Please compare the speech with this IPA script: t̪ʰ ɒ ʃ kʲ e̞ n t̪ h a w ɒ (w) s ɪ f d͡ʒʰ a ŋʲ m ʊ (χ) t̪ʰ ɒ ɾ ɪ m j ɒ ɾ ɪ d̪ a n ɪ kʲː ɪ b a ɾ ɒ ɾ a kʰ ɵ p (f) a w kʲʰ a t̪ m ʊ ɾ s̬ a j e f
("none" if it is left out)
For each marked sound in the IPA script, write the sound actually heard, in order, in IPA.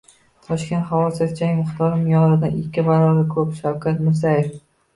none, χ, ʃ

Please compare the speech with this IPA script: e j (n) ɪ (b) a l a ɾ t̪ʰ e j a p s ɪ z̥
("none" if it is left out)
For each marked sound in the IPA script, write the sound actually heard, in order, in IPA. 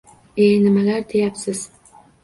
n, m

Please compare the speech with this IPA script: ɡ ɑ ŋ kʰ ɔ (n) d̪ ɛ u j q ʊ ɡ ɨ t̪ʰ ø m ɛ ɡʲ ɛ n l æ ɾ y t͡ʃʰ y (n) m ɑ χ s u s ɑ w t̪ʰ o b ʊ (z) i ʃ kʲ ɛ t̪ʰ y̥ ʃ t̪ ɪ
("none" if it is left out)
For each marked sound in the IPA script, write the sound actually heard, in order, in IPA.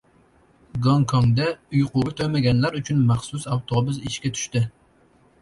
ŋ, n, z

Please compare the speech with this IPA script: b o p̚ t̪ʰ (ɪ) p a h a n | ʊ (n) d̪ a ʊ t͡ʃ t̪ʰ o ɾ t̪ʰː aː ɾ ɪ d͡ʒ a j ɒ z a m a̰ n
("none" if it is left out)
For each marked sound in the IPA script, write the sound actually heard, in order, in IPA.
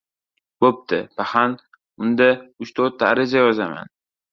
ɪ, n

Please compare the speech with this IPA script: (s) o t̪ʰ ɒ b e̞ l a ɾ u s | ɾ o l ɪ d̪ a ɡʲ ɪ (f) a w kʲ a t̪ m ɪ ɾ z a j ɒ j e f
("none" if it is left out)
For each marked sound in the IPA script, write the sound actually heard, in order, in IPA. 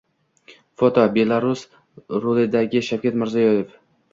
f, ʃ

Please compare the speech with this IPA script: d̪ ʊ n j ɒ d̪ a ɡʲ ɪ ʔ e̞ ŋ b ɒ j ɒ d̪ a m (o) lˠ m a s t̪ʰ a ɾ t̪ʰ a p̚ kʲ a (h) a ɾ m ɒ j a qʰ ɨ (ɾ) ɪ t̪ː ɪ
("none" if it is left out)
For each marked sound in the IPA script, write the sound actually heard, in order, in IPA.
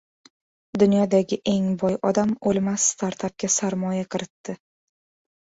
o, s, ɾ

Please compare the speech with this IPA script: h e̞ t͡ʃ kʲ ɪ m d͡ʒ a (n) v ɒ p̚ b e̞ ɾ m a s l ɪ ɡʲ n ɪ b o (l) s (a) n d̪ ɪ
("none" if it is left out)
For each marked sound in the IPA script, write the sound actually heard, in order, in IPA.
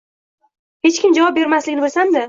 none, l, a

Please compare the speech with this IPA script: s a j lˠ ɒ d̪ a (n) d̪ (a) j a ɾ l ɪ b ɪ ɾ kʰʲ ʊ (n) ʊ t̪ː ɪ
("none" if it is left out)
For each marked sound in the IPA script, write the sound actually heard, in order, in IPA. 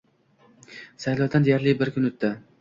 n, e, n

